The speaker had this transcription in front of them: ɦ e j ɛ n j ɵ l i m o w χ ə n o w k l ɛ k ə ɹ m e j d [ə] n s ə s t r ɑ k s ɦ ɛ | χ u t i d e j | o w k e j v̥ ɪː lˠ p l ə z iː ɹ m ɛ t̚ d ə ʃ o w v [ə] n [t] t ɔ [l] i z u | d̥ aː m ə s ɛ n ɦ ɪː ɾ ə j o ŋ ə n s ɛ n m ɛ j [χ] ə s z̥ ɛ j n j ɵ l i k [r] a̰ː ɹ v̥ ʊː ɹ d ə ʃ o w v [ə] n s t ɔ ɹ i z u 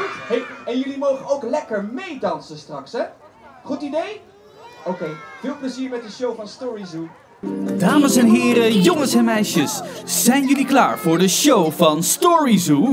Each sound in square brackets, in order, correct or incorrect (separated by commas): incorrect, incorrect, incorrect, incorrect, incorrect, incorrect, incorrect